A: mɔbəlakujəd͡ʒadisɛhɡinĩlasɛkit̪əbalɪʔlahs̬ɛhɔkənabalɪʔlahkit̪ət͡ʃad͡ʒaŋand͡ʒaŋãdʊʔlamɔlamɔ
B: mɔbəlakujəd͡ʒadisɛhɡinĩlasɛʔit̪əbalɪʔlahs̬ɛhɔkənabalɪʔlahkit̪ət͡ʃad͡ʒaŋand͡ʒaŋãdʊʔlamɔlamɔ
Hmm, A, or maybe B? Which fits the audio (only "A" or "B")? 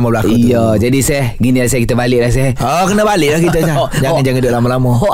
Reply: A